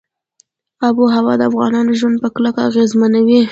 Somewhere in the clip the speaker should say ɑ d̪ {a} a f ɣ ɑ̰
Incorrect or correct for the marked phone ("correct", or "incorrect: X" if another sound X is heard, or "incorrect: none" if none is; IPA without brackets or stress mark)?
incorrect: ə